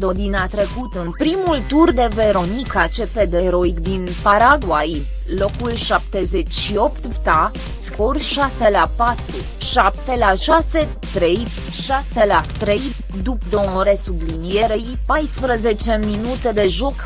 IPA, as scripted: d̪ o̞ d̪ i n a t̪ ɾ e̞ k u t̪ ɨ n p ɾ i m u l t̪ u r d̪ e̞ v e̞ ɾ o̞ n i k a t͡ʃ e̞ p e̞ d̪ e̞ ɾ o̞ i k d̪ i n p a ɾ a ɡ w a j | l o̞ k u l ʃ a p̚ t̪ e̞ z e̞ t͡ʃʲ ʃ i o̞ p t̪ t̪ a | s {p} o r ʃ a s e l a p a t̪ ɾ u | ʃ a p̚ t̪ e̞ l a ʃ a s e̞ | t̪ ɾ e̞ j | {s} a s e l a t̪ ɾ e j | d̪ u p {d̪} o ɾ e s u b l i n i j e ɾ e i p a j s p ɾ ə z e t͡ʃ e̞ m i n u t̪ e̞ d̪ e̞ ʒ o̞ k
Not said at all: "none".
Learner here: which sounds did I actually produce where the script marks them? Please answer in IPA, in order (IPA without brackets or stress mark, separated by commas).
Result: k, ʃ, d̪